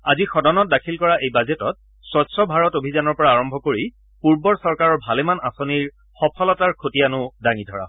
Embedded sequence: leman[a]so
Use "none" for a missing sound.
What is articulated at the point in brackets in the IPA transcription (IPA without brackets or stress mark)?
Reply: a